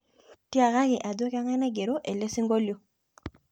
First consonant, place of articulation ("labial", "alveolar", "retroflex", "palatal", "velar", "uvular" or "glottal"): alveolar